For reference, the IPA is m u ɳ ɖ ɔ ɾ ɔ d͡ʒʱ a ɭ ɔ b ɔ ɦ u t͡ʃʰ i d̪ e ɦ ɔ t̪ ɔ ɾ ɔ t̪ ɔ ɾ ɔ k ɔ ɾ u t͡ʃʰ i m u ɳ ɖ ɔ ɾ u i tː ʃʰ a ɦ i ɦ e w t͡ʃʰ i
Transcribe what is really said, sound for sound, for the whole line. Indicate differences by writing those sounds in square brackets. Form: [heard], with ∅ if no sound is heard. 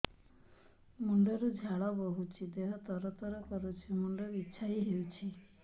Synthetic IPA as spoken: m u ɳ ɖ ɔ ɾ [u] d͡ʒʱ a ɭ ɔ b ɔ ɦ u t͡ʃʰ i d̪ e ɦ ɔ t̪ ɔ ɾ ɔ t̪ ɔ ɾ ɔ k ɔ ɾ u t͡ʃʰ i m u ɳ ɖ ɔ ɾ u i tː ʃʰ a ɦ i ɦ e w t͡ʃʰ i

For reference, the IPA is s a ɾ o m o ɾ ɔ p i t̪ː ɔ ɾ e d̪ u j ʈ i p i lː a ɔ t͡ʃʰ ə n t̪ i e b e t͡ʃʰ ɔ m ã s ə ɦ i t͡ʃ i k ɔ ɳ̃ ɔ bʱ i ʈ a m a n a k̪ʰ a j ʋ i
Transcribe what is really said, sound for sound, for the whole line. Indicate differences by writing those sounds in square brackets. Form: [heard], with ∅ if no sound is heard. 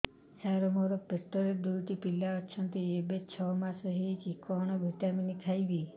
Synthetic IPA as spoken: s a ɾ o m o ɾ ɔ p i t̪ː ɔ ɾ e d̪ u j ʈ i p i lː a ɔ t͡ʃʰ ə n t̪ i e b e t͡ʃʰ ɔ m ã s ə ɦ i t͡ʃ i k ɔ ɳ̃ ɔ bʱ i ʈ a m [i] n [i] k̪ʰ a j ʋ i

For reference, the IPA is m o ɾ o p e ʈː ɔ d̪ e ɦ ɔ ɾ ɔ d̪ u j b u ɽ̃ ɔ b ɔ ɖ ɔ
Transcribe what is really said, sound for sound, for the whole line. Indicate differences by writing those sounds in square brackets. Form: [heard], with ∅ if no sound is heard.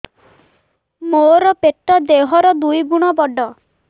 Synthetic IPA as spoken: m o ɾ [ɔ] p e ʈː ɔ d̪ e ɦ ɔ ɾ ɔ d̪ u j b u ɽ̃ ɔ b ɔ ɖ ɔ

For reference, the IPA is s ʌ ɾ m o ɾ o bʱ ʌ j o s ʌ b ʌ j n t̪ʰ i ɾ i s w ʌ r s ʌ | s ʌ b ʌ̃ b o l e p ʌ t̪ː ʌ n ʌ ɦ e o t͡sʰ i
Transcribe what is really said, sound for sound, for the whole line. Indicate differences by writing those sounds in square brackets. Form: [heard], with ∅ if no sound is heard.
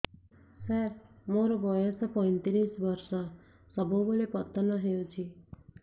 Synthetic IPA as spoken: s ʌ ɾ m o ɾ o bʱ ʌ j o s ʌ [p] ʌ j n [t̪] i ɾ i s [b] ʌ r s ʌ | s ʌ b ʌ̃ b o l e p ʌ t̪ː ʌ n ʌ ɦ e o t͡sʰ i

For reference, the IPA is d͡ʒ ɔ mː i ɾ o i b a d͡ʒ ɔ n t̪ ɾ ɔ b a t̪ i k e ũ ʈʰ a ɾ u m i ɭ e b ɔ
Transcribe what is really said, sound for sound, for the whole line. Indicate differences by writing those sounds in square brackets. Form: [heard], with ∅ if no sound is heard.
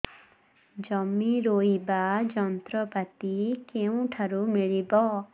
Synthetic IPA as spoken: d͡ʒ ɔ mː i ɾ o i b a d͡ʒ ɔ n t̪ ɾ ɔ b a t̪ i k e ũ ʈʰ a ɾ u m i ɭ [i] b ɔ

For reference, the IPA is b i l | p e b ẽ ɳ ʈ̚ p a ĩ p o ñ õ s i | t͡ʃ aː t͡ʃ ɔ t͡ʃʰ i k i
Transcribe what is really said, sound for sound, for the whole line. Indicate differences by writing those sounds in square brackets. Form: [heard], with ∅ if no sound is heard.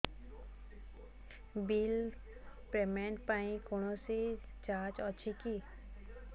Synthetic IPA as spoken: b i l | p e [m] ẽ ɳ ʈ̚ p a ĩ [k] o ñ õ s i | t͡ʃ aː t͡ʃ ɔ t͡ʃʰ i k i

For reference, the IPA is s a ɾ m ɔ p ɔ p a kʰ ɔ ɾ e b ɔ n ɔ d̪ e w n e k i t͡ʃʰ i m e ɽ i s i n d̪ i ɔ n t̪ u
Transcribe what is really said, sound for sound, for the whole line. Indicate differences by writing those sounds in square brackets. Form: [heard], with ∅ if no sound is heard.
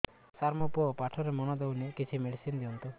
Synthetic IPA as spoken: s a ɾ m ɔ p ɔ p a [ʈʰ] ɔ ɾ e [m] ɔ n ɔ d̪ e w n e k i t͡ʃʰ i m e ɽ i s i n d̪ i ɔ n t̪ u

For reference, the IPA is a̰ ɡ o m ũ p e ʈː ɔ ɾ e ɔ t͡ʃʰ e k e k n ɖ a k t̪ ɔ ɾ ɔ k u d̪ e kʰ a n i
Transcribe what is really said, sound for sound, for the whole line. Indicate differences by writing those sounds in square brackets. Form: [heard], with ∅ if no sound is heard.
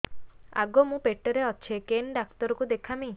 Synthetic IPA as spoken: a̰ ɡ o m ũ p e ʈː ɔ ɾ e ɔ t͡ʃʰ e k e [∅] n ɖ a k t̪ ɔ ɾ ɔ k u d̪ e kʰ a [m] i

